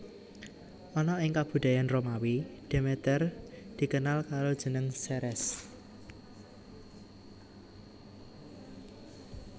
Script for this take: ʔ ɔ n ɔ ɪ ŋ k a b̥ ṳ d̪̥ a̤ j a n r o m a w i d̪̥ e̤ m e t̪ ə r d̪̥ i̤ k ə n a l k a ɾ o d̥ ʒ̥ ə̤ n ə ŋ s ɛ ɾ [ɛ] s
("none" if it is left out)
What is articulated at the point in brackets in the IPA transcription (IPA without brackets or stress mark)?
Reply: ɛ